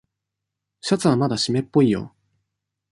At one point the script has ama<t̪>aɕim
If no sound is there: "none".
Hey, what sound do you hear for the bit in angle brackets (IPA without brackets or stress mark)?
d̪